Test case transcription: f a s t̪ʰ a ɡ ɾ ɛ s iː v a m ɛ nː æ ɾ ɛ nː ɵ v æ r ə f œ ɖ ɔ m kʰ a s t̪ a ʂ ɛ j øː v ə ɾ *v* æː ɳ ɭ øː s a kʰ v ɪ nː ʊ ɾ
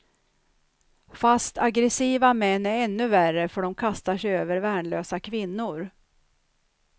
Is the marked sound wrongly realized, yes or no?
no